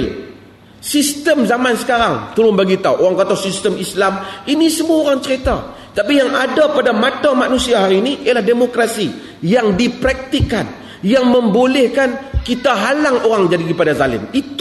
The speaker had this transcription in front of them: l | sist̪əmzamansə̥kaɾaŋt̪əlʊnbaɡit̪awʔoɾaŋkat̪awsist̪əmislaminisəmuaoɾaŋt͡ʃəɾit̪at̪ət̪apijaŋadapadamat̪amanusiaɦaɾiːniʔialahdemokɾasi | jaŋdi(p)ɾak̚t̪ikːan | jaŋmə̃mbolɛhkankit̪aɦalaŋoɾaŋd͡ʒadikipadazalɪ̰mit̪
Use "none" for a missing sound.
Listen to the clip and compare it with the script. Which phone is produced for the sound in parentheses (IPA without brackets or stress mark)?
p